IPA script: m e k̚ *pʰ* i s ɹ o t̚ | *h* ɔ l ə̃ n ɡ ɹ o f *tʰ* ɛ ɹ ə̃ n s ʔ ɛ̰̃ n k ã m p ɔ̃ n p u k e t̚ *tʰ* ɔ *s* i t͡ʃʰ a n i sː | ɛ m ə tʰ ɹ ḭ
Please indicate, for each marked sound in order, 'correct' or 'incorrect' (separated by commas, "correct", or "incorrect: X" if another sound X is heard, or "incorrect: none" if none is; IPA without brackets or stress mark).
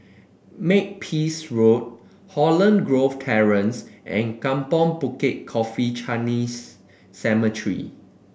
correct, correct, correct, incorrect: kʰ, incorrect: f